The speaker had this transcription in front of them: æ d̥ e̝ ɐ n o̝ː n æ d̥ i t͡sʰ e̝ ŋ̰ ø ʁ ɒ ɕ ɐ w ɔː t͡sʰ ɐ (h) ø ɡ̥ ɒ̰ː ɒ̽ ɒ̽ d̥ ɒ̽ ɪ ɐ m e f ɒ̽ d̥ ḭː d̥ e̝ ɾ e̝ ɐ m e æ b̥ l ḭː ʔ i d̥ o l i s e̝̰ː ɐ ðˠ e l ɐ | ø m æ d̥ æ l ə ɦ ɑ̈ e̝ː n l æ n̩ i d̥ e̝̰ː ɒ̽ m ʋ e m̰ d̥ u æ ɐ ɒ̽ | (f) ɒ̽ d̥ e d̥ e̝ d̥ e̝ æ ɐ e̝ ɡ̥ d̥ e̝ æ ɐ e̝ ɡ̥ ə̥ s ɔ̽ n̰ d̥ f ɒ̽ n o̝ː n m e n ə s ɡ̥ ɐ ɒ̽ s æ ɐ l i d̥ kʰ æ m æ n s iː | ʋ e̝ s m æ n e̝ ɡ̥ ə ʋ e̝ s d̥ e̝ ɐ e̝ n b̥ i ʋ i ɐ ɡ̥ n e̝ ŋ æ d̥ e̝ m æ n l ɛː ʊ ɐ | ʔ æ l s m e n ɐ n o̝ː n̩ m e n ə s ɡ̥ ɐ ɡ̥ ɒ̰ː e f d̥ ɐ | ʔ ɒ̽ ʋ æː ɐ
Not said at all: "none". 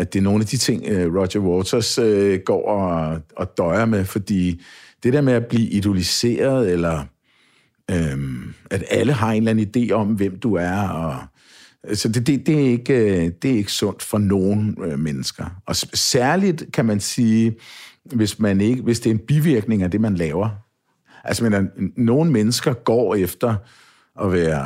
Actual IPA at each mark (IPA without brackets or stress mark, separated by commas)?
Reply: s, s